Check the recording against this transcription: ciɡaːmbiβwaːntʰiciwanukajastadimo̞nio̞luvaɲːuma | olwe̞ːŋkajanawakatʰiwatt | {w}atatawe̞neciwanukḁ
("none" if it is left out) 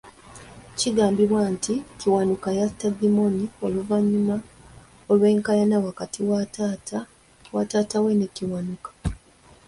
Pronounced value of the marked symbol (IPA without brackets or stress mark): w